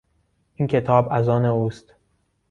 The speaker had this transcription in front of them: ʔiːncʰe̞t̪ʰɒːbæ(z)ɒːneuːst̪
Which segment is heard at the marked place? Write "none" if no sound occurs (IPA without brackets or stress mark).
z